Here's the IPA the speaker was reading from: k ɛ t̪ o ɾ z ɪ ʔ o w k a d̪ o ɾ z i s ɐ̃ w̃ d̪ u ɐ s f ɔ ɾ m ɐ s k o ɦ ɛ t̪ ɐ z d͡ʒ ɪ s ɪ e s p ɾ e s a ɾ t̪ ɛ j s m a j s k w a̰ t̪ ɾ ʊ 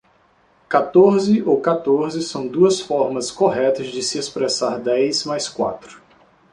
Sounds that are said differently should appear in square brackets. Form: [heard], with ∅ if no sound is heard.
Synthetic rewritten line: k [a] t̪ o ɾ z ɪ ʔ o w k a [t̪] o ɾ z [ɪ] s ɐ̃ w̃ d̪ u ɐ s f ɔ ɾ m ɐ s k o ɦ ɛ t̪ ɐ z d͡ʒ ɪ s ɪ e s p ɾ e s a ɾ [d̪] ɛ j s m a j s k w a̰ t̪ ɾ ʊ

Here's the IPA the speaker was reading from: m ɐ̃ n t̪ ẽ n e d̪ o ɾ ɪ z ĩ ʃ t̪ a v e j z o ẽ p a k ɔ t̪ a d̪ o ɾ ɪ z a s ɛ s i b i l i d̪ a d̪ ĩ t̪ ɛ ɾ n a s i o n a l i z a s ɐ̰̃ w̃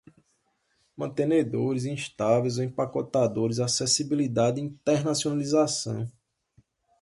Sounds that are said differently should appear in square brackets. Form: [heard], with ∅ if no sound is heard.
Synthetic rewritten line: m ɐ̃ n t̪ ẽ n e d̪ o ɾ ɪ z ĩ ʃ t̪ a v e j z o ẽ p a k ɔ t̪ a d̪ o ɾ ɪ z a s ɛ s i b i l i d̪ a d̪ ĩ t̪ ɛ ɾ n a s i o n a l i z a s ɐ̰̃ w̃

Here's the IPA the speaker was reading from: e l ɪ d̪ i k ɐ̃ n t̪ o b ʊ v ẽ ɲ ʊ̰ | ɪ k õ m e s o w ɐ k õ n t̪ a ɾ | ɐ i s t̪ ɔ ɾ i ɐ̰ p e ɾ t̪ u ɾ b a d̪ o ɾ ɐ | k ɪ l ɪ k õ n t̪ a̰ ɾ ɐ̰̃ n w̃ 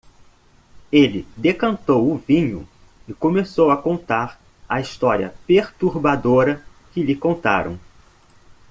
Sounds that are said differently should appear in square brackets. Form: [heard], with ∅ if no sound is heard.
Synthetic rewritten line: e l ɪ d̪ [e] k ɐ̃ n t̪ o [w] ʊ v [ĩ] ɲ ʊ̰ | ɪ k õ m e s o w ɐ k õ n t̪ a ɾ | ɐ i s t̪ ɔ ɾ i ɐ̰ p e ɾ t̪ u ɾ b a d̪ o ɾ ɐ | k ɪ l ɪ k õ n t̪ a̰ ɾ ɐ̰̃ [∅] w̃

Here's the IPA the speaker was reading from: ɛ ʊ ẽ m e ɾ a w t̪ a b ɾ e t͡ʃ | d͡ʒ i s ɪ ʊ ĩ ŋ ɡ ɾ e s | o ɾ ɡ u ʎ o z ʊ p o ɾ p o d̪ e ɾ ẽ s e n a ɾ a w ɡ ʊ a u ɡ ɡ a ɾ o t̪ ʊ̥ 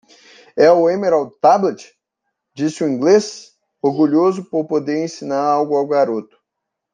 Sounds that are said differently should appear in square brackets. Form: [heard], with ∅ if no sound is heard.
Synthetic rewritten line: ɛ ʊ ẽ m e ɾ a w t̪ a b [l] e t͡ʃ | d͡ʒ i s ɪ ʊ ĩ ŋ ɡ [l] e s | o ɾ ɡ u ʎ o z ʊ p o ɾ p o d̪ e ɾ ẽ s [i] n a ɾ a w ɡ ʊ a [w] ɡ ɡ a ɾ o t̪ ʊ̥

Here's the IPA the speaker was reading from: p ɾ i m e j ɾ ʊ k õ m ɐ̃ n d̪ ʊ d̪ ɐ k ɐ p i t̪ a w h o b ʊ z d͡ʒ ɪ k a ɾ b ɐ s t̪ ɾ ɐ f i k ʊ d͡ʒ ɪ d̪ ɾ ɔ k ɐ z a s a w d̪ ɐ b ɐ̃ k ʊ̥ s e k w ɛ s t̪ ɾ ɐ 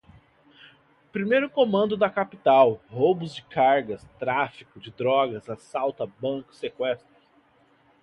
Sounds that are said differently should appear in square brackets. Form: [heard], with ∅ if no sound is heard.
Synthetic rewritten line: p ɾ i m e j ɾ ʊ k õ m ɐ̃ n d̪ ʊ d̪ ɐ k [a] p i t̪ a w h o b ʊ z d͡ʒ ɪ k a ɾ [ɡ] ɐ s t̪ ɾ [a] f i k ʊ d͡ʒ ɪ d̪ ɾ ɔ [ɡ] ɐ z a s a w [t̪] ɐ b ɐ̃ k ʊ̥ s e k w ɛ s t̪ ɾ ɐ

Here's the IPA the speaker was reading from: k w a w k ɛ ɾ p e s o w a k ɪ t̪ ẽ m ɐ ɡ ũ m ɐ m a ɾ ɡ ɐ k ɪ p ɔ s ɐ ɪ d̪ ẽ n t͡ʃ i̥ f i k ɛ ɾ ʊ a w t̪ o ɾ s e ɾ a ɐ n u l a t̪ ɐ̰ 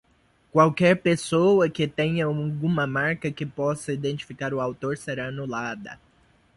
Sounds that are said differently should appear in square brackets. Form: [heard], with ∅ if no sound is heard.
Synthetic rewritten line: k w a w k ɛ ɾ p e s o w [ɐ] k ɪ t̪ ẽ [ɲ] ɐ ɡ ũ m ɐ m a ɾ [k] ɐ k ɪ p ɔ s ɐ [i] d̪ ẽ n t͡ʃ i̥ f i k [a] ɾ ʊ a w t̪ o ɾ s e ɾ a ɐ n u l a [d̪] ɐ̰

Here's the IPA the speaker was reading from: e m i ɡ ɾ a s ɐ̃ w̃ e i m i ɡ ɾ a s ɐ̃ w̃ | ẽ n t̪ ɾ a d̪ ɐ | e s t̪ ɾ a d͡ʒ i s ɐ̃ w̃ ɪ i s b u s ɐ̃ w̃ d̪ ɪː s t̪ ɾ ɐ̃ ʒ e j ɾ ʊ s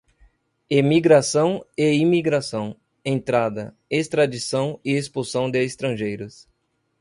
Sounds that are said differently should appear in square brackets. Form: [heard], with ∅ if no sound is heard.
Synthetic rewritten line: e m i ɡ ɾ a s ɐ̃ w̃ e i m i ɡ ɾ a s ɐ̃ w̃ | ẽ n t̪ ɾ a d̪ ɐ | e s t̪ ɾ a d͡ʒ i s ɐ̃ w̃ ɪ [e] s [p] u s ɐ̃ w̃ d̪ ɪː s t̪ ɾ ɐ̃ ʒ e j ɾ ʊ s

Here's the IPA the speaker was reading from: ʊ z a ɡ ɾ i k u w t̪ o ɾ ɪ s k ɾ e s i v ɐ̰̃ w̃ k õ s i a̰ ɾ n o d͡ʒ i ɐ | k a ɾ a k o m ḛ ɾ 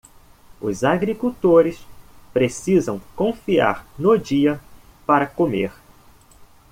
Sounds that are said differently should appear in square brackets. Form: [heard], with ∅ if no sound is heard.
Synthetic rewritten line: ʊ z a ɡ ɾ i k u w t̪ o ɾ ɪ s [p] ɾ e s i [z] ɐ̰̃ w̃ k õ [f] i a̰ ɾ n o d͡ʒ i ɐ | [p] a ɾ [ɐ] k o m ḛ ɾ

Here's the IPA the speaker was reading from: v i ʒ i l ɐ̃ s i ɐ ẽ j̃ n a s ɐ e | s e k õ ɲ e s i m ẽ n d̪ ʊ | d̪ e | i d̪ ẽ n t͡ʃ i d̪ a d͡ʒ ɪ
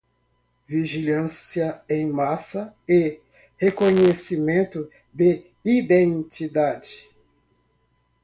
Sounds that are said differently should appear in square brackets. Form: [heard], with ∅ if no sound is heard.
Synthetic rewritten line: v i ʒ i l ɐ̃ s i ɐ ẽ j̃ [m] a s ɐ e | [h] e k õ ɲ e s i m ẽ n [t̪] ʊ | d̪ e | i d̪ ẽ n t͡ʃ i d̪ a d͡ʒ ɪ

